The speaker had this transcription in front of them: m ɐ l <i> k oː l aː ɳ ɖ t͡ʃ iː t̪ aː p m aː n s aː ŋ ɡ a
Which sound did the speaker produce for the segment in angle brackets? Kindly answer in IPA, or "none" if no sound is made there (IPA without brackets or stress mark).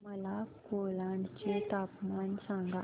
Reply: a